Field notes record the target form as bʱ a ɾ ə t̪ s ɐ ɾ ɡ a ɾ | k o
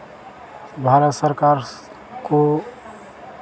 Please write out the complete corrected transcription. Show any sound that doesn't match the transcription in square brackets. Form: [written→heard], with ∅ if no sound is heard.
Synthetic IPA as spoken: bʱ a ɾ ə t̪ s [ɐ→ə] ɾ [ɡ→k] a ɾ | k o